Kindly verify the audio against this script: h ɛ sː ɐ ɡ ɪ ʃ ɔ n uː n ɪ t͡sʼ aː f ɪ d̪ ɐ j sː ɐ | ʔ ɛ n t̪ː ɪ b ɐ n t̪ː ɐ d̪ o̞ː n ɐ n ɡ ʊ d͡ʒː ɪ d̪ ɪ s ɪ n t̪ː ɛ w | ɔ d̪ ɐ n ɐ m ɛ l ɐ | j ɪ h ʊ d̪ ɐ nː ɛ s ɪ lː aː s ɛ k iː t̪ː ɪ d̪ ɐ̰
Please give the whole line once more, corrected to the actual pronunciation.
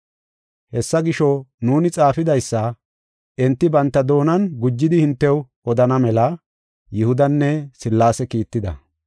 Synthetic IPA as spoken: h ɛ sː ɐ ɡ ɪ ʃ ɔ n uː n ɪ t͡sʼ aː f ɪ d̪ ɐ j sː ɐ | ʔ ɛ n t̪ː ɪ b ɐ n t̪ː ɐ d̪ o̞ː n ɐ n ɡ ʊ d͡ʒː ɪ d̪ ɪ h ɪ n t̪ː ɛ w | ɔ d̪ ɐ n ɐ m ɛ l ɐ | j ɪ h ʊ d̪ ɐ nː ɛ s ɪ lː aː s ɛ k iː t̪ː ɪ d̪ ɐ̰